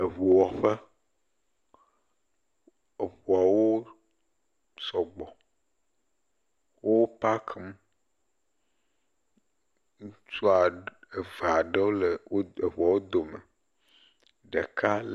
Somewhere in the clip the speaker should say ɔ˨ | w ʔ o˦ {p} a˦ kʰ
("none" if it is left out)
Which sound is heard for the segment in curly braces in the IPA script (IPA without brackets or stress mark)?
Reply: p